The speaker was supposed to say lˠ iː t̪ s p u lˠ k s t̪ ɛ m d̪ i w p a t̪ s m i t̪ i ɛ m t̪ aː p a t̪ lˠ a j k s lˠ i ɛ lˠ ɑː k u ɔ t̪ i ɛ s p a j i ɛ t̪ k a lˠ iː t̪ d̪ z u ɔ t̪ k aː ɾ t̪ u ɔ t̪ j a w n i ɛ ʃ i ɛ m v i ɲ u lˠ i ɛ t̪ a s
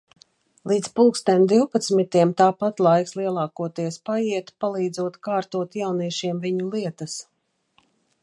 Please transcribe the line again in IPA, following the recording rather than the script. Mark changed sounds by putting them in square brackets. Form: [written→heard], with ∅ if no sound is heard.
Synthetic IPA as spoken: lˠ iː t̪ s p u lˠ k s t̪ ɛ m d̪ i w p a t̪ s m i t̪ i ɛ m t̪ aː p a t̪ lˠ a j k s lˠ i ɛ lˠ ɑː k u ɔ t̪ i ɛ s p a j i ɛ t̪ [k→p] a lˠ iː [t̪→∅] d̪ z u ɔ t̪ k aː ɾ t̪ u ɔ t̪ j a w n i ɛ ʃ i ɛ m v i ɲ u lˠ i ɛ t̪ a s